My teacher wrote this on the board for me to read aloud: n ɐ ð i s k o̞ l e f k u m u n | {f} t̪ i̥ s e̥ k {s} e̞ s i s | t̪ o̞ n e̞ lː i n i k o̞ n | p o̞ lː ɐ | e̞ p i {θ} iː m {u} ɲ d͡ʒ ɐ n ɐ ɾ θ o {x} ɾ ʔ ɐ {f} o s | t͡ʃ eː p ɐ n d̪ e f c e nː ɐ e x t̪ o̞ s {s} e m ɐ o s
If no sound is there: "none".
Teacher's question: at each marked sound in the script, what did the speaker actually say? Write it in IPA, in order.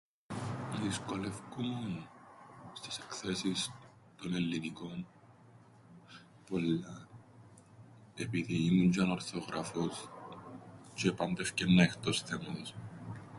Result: s, θ, ð, u, ɣ, f, θ

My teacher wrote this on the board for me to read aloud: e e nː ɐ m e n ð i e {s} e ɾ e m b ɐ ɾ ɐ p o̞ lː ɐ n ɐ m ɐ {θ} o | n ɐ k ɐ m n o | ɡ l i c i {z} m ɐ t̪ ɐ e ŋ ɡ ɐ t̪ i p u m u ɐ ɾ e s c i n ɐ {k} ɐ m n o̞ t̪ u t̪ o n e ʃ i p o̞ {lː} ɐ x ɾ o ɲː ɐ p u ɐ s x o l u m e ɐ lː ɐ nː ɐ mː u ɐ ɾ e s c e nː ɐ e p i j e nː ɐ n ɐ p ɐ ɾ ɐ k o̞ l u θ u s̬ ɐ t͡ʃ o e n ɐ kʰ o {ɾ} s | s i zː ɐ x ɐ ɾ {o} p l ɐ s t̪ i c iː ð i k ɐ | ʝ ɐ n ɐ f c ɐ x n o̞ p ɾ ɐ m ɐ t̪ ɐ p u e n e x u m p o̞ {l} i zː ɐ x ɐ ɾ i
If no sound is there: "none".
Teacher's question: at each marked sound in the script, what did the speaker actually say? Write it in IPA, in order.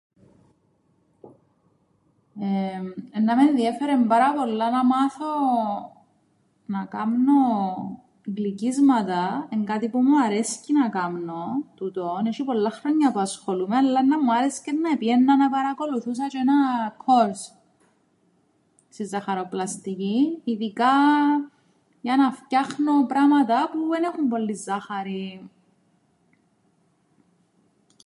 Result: f, θ, z, k, lː, ɾ, o, lː

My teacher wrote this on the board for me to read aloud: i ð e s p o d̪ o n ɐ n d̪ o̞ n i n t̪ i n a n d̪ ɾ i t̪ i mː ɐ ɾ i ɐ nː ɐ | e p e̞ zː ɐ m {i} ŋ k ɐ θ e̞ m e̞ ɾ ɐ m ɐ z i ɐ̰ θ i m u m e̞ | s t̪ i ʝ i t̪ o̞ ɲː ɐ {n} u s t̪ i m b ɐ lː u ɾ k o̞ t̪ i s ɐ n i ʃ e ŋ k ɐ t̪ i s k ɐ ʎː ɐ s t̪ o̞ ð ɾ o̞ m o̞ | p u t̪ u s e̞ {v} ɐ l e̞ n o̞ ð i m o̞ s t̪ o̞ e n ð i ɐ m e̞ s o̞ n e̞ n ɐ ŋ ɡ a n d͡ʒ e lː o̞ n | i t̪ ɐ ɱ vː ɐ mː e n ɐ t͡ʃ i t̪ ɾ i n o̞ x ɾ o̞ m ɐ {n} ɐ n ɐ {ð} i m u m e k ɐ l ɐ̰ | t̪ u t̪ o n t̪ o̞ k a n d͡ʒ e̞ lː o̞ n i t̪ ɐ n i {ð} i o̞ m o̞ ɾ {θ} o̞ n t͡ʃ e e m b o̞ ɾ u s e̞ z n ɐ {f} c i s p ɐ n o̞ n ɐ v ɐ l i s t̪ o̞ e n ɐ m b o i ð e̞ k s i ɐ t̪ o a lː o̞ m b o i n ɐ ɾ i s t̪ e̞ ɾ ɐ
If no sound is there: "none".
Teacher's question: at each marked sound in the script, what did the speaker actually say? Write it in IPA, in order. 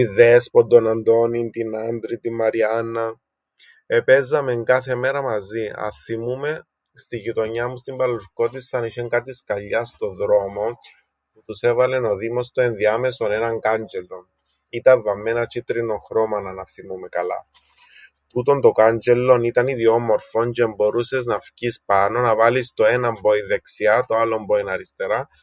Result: e, m, v, n, θ, ð, f, f

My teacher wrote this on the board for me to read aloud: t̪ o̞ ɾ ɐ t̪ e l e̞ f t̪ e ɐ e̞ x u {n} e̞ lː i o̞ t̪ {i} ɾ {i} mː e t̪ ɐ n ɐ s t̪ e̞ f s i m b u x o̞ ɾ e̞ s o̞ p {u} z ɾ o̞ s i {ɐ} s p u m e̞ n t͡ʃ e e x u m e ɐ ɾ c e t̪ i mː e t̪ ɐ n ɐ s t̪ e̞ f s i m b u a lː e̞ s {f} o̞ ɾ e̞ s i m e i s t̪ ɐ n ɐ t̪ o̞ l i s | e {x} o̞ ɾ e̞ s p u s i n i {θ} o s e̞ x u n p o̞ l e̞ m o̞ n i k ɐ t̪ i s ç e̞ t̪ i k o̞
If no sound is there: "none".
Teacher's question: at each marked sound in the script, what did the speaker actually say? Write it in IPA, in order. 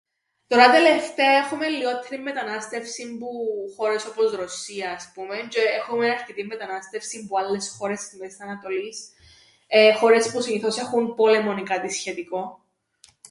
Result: m, e, i, o, ɐː, x, x, θ

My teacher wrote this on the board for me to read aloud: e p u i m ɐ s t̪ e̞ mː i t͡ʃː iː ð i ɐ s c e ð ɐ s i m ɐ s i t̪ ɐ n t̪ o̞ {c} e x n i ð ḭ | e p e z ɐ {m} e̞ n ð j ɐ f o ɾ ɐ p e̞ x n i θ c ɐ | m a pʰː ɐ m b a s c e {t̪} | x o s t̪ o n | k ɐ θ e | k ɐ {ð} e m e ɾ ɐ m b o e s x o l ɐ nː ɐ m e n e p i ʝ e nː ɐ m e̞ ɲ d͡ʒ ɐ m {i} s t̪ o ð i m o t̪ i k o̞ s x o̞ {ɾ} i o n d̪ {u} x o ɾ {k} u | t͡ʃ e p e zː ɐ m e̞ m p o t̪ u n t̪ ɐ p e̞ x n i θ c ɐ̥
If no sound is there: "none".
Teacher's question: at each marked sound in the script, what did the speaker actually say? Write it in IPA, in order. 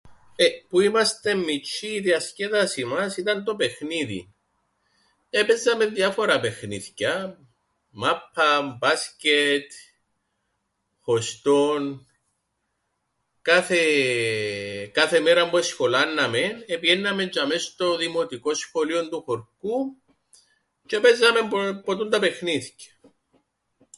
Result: p, m, t̪, θ, e, l, u, k

